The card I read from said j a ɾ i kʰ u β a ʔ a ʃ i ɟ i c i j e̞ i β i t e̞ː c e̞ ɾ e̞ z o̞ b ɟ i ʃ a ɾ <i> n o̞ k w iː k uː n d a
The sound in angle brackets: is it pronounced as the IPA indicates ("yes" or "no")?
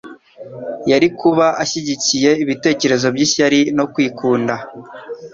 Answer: yes